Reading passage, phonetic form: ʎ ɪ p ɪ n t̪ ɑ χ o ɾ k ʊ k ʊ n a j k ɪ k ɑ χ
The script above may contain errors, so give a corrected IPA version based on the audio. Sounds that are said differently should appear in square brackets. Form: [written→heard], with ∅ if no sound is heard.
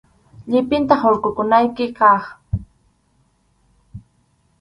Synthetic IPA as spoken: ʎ ɪ p ɪ n t̪ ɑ χ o ɾ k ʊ k ʊ n a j k ɪ k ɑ χ